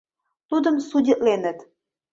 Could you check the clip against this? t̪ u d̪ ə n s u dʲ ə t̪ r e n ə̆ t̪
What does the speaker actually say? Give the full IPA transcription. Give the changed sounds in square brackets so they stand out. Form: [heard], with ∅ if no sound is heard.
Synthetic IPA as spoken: t̪ u d̪ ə [m] s u dʲ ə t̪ [l] e n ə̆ t̪